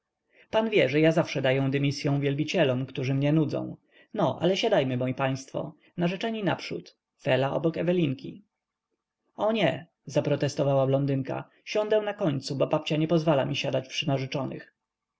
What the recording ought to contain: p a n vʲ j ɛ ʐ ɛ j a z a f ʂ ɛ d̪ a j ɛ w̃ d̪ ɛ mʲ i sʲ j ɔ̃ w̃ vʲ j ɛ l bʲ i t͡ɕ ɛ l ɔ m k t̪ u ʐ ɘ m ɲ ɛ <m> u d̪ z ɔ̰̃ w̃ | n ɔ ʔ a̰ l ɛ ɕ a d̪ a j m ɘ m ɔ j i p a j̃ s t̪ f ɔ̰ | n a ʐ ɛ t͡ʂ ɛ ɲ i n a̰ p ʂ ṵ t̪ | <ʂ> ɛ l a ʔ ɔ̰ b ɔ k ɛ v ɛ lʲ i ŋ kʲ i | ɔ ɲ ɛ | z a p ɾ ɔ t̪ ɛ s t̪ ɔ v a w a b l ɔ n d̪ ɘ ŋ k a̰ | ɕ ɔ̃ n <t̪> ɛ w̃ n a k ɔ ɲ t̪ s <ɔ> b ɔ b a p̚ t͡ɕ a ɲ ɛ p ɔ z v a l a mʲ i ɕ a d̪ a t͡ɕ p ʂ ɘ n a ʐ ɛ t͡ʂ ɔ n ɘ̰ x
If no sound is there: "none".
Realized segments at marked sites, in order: n, f, d̪, u

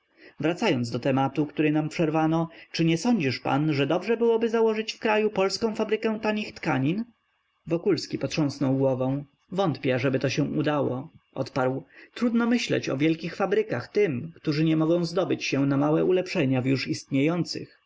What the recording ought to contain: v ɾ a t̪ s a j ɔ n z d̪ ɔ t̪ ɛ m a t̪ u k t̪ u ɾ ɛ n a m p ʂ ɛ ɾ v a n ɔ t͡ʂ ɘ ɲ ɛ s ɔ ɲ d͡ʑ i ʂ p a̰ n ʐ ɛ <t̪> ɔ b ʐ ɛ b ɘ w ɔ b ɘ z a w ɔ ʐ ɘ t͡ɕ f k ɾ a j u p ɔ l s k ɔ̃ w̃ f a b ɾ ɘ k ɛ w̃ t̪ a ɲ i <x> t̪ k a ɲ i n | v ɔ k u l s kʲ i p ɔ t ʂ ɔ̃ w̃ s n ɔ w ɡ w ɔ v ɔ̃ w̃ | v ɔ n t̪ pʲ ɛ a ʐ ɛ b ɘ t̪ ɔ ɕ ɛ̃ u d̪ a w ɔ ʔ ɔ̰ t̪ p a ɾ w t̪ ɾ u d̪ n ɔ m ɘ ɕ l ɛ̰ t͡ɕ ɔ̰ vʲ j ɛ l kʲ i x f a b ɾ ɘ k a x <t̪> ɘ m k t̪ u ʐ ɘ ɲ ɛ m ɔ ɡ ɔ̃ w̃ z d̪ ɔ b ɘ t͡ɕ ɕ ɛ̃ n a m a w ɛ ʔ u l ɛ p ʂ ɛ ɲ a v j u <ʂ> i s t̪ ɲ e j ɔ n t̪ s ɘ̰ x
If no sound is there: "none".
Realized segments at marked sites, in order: d̪, x, t̪, ʂ

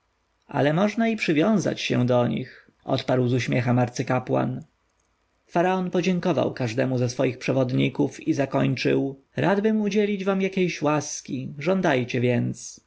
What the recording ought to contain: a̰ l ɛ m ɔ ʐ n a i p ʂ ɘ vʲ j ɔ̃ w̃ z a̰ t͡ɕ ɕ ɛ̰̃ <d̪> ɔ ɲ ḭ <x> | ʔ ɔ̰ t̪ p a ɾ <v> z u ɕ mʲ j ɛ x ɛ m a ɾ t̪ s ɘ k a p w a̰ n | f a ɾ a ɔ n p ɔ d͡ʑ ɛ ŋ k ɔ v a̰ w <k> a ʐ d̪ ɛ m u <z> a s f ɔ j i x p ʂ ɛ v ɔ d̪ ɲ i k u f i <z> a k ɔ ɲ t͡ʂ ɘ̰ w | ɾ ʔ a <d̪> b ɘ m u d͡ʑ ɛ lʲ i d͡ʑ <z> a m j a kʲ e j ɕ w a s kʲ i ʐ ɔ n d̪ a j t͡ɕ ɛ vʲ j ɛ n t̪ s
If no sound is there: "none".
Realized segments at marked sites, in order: d̪, x, w, k, z, z, d̪, v

